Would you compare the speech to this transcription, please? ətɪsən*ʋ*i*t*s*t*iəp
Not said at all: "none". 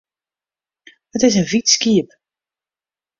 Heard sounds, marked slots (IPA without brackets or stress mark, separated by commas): v, t, k